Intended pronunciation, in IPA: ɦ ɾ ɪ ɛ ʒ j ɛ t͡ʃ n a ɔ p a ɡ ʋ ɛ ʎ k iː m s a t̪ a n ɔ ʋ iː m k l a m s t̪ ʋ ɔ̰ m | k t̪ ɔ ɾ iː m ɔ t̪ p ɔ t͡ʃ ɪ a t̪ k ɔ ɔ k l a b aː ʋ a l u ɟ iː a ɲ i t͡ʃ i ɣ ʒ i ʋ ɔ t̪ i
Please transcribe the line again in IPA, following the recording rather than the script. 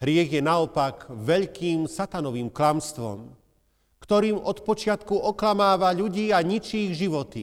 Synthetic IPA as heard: ɦ ɾ ɪ ɛ ɣ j ɛ n a ɔ p a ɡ ʋ ɛ ʎ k iː m s a t̪ a n ɔ ʋ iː m k l a m s t̪ ʋ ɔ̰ m | k t̪ ɔ ɾ iː m ɔ t̪ p ɔ t͡ʃ ɪ a t̪ k u ɔ k l a m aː ʋ a ʎ u ɟ iː a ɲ i t͡ʃ i ɣ ʒ i ʋ ɔ t̪ i